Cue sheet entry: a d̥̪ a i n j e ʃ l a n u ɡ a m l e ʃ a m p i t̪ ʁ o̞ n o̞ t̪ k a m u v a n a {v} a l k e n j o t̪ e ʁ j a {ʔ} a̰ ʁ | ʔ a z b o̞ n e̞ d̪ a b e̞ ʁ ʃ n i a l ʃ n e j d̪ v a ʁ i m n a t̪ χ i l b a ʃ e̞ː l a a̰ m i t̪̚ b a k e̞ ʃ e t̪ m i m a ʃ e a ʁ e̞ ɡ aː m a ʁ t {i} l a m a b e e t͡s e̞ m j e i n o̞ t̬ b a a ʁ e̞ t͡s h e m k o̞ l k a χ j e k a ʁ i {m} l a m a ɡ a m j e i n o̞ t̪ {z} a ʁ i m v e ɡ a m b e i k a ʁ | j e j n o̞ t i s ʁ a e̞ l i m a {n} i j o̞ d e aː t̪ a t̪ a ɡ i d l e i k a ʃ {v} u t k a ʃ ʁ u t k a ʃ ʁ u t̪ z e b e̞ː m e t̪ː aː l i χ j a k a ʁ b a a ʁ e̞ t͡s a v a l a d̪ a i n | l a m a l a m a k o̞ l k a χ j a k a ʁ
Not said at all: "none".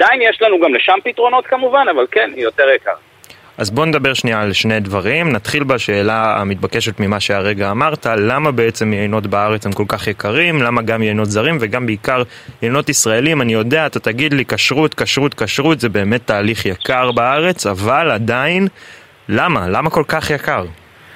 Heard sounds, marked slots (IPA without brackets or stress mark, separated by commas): v, k, a, m, z, n, ʁ